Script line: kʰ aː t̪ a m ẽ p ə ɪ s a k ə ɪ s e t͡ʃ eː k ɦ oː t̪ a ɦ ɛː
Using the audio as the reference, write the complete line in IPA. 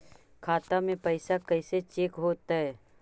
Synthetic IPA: kʰ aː t̪ a m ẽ p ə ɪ s a k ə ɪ s e t͡ʃ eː k ɦ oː t̪ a ɦ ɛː